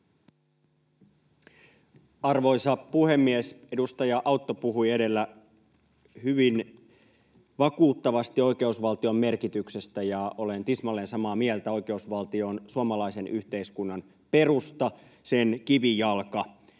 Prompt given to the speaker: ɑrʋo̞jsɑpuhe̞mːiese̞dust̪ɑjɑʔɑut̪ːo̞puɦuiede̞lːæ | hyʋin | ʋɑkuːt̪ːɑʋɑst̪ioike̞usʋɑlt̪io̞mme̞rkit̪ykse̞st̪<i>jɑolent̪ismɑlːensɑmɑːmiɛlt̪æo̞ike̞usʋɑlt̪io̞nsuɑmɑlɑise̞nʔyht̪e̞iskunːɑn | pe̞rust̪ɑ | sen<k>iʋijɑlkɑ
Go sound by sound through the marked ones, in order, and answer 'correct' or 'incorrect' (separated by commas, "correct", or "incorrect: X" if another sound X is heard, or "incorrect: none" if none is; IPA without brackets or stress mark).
incorrect: æ, correct